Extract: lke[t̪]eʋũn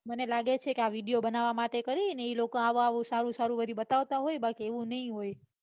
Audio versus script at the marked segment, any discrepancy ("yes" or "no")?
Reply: yes